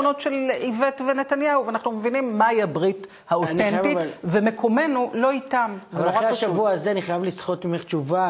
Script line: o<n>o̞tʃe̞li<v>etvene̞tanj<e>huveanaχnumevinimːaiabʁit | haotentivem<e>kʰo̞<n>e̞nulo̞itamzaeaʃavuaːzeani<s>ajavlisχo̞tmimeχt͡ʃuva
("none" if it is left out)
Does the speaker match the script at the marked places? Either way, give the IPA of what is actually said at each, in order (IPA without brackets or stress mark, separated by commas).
n, v, a, e, m, χ